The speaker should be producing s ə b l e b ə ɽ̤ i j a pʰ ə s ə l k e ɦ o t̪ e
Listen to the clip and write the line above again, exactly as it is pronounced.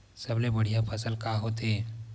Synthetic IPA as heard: s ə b l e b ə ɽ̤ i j a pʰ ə s ə l k a ɦ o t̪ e